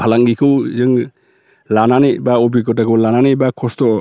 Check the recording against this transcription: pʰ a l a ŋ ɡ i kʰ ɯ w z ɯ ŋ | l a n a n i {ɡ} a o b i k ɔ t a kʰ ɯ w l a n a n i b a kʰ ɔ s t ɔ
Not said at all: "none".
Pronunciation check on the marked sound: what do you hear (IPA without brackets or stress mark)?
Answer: b